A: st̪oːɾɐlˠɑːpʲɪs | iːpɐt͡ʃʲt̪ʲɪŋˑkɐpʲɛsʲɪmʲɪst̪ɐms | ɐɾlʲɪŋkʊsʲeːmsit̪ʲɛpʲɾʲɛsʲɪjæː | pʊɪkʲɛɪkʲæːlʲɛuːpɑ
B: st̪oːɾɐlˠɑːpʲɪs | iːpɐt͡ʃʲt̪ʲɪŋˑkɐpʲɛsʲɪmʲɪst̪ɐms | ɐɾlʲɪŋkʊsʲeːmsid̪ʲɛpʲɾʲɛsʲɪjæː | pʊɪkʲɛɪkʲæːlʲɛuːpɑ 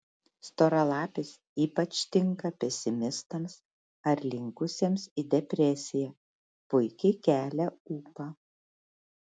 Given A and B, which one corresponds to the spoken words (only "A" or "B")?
B